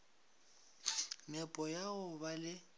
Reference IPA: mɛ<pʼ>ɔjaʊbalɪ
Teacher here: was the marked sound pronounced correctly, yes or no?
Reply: yes